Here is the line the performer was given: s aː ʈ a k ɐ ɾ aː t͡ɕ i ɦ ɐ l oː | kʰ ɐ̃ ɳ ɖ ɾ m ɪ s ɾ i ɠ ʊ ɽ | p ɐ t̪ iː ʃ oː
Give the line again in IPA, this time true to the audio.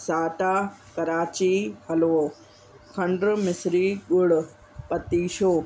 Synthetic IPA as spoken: s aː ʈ a k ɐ ɾ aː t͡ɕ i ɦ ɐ l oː | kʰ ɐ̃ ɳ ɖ ɾ m ɪ s ɾ i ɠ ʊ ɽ | p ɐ t̪ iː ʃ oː